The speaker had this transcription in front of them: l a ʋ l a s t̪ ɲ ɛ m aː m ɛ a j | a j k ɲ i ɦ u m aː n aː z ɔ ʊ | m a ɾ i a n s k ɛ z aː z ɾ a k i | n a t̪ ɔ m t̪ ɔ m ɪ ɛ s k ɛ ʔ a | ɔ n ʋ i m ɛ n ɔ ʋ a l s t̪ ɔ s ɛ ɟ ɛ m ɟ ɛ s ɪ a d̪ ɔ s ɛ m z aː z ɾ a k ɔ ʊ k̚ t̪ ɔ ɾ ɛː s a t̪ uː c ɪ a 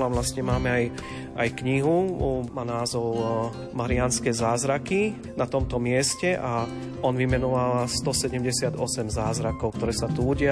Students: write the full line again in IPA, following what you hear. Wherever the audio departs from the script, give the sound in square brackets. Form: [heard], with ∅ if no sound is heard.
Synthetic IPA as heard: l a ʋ l a s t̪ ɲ ɛ m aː m ɛ a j | a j k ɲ i ɦ u m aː n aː z ɔ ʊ | m a ɾ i a n s k ɛ z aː z ɾ a k i | n a t̪ ɔ m t̪ ɔ m ɪ ɛ s [c] ɛ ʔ a | ɔ n ʋ i m ɛ n ɔ ʋ a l s t̪ ɔ s ɛ ɟ ɛ m ɟ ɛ s ɪ a d̪ ɔ s ɛ m z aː z ɾ a k ɔ ʊ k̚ t̪ ɔ ɾ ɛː s a t̪ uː [ɟ] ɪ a